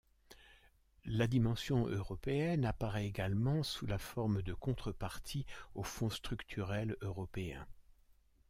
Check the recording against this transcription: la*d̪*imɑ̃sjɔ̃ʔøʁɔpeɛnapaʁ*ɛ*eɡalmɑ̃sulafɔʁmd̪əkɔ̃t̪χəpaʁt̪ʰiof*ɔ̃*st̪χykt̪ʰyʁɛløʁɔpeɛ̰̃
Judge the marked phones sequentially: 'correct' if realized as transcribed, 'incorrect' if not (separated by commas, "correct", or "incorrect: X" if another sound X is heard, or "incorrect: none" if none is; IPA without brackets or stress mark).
correct, correct, correct